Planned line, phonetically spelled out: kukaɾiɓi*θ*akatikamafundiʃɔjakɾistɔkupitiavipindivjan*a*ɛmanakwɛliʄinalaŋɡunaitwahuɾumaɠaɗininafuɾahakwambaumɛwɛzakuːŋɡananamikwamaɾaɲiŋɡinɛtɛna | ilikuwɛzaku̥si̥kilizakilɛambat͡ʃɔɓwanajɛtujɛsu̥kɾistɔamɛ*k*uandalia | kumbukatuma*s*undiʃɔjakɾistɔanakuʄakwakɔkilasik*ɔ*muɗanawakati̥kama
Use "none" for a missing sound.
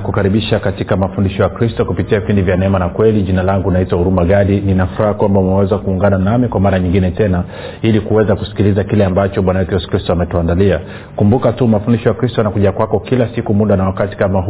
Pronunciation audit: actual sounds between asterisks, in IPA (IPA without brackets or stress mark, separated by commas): ʃ, ɛ, t, f, u